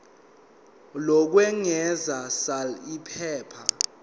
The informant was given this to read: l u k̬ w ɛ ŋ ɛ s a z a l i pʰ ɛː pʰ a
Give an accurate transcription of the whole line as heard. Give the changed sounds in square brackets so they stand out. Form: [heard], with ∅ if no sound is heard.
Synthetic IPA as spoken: l [ɔ] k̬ w ɛ ŋ ɛ [z] a [s] a l i pʰ ɛː pʰ a